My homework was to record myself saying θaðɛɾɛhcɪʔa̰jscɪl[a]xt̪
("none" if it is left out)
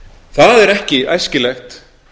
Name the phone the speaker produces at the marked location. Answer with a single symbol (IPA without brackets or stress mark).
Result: ɛ